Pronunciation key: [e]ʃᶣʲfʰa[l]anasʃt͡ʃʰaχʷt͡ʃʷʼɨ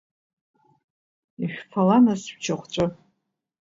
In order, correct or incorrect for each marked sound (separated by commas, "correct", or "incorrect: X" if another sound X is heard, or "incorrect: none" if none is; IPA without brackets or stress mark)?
incorrect: i, correct